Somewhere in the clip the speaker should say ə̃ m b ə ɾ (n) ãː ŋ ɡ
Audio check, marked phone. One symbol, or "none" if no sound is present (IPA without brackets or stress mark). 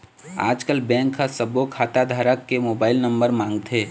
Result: m